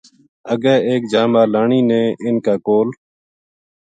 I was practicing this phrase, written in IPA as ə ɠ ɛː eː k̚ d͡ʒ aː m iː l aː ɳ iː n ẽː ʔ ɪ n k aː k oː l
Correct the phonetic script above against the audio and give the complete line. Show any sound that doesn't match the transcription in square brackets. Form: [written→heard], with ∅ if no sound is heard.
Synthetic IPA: ə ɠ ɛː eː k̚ d͡ʒ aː m [iː→aː] l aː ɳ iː n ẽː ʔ ɪ n k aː k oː l